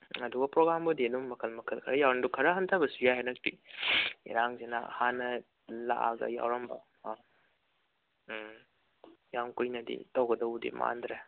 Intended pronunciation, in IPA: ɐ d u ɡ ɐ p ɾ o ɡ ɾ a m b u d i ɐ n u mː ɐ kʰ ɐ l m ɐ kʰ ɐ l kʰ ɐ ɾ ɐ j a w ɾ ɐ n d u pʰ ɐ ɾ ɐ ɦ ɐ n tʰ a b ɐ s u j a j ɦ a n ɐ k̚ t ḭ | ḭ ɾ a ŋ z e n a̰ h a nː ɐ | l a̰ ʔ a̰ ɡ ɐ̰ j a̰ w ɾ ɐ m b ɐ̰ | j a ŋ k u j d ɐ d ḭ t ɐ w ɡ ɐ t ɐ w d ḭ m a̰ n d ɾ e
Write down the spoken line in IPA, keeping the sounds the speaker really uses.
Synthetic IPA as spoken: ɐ d u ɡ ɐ p ɾ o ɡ ɾ a m b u d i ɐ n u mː ɐ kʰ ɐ l m ɐ kʰ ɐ l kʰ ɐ ɾ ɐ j a w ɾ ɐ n d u kʰ ɐ ɾ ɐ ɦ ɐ n tʰ a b ɐ s u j a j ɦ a n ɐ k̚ t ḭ | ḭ ɾ a ŋ z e n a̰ h a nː ɐ | l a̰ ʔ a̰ ɡ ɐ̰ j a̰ w ɾ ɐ m b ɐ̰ | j a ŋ k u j n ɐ d ḭ t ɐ w ɡ ɐ d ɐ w d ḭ m a̰ n d ɾ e